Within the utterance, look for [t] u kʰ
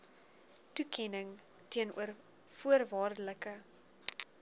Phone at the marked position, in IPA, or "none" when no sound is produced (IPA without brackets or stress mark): t